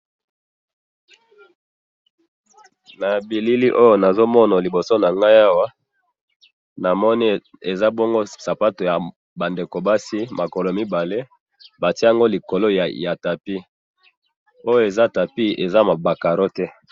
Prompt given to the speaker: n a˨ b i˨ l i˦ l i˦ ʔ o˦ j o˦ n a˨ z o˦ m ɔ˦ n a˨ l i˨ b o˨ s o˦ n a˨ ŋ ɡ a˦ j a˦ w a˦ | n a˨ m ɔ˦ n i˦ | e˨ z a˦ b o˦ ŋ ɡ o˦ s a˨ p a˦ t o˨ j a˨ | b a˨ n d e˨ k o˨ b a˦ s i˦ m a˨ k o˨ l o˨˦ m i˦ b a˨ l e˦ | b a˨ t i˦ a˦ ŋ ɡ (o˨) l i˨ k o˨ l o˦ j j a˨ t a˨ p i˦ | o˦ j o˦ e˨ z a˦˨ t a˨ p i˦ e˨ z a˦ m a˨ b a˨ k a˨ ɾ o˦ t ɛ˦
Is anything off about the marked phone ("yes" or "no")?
yes